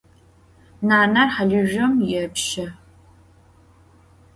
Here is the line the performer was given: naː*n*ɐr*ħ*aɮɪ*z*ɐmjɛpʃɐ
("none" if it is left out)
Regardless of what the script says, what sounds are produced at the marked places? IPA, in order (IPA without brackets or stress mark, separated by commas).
n, ħ, ʒ